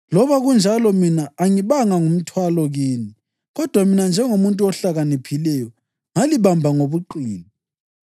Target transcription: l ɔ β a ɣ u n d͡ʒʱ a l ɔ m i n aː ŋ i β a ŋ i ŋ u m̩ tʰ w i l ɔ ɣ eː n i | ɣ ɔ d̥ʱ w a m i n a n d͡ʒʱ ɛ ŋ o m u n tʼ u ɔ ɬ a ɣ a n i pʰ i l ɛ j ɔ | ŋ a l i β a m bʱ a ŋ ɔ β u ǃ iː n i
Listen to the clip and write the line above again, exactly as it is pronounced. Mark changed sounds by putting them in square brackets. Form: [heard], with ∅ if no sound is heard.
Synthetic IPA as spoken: l ɔ β a ɣ u n d͡ʒʱ a l ɔ m i n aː ŋ i β a ŋ [a] ŋ u m̩ tʰ w [a] l ɔ ɣ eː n i | ɣ ɔ d̥ʱ w a m i n a n d͡ʒʱ ɛ ŋ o m u n tʼ u ɔ ɬ a ɣ a n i pʰ i l ɛ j ɔ | ŋ a l i β a m bʱ a ŋ [o] β u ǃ iː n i